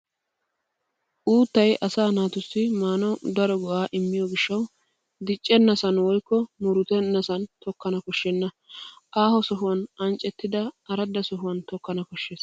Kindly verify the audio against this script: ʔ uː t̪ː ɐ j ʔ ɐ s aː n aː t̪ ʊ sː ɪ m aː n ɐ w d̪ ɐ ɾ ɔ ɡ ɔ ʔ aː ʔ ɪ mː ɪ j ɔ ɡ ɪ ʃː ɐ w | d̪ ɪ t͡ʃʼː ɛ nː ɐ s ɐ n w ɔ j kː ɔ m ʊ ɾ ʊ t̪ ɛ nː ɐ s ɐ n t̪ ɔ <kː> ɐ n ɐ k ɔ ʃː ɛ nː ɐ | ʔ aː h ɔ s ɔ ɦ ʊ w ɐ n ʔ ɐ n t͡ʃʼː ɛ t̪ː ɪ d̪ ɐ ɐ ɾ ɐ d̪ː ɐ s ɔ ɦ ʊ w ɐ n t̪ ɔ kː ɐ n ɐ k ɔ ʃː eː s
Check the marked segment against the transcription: correct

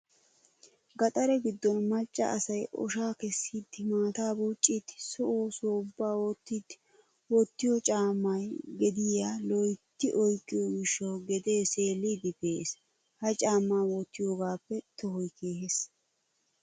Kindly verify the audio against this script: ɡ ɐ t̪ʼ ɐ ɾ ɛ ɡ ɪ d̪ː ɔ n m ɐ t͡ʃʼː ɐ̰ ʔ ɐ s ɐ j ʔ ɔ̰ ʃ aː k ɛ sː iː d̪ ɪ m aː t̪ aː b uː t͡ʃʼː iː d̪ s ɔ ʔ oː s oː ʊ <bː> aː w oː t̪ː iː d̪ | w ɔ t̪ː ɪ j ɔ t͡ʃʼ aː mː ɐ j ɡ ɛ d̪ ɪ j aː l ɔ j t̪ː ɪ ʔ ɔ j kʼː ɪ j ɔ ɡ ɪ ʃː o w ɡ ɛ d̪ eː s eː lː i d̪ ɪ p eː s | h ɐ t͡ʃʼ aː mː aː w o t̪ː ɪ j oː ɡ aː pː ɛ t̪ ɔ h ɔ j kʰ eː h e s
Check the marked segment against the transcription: correct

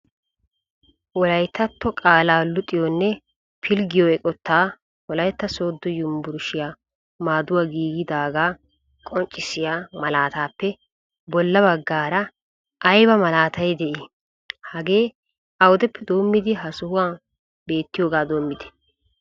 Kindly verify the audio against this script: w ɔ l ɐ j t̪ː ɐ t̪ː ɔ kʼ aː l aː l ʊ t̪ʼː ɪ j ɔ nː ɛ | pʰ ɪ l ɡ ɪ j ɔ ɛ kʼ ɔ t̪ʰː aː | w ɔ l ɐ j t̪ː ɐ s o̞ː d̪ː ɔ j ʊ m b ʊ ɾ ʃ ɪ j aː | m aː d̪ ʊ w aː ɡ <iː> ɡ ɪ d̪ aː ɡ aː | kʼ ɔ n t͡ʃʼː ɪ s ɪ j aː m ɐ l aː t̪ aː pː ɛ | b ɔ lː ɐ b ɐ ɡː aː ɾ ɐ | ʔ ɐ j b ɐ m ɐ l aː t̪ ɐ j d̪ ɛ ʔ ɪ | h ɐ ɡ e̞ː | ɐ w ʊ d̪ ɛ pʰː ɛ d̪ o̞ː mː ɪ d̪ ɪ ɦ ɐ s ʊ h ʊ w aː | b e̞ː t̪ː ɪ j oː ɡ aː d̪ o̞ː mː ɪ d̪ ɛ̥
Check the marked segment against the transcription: correct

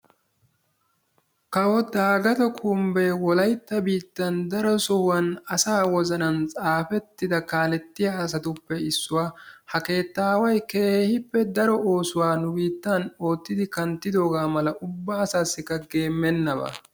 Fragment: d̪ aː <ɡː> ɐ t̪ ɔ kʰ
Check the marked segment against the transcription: incorrect: ɡ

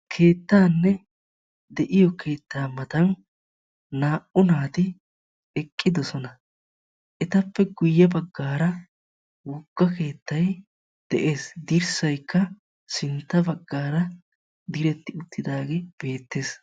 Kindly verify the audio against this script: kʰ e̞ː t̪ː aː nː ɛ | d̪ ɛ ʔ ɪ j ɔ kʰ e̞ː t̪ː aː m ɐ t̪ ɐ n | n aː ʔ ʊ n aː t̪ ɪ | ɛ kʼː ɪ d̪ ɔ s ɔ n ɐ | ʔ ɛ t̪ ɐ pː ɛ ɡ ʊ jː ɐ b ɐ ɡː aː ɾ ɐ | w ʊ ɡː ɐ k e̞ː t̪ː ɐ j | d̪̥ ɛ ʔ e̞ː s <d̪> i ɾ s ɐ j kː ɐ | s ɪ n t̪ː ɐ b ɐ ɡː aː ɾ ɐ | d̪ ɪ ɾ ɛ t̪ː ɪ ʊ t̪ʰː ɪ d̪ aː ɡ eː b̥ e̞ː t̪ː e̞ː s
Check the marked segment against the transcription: correct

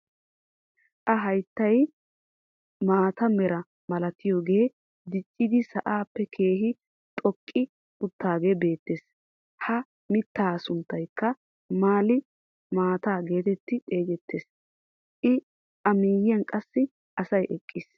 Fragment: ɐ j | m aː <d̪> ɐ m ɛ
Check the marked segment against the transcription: incorrect: t̪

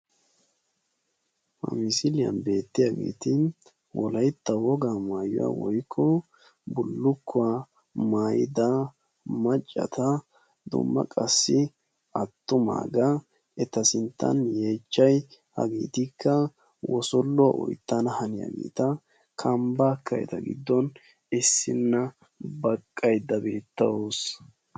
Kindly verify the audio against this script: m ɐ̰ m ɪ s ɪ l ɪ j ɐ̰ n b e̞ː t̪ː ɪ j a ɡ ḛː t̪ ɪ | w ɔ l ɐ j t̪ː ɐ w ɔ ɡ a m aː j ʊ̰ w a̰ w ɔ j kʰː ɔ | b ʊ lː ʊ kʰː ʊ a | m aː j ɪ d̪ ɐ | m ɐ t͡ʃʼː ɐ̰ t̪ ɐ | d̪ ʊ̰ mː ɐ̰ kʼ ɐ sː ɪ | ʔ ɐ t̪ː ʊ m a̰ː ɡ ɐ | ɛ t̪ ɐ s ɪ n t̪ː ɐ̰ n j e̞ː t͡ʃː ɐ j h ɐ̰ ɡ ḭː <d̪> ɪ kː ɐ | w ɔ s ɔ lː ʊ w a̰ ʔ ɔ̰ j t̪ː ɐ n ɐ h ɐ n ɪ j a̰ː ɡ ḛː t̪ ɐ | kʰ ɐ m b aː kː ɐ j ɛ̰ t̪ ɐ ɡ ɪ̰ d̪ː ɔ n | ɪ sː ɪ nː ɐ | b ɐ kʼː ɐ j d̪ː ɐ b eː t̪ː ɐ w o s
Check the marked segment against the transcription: incorrect: t̪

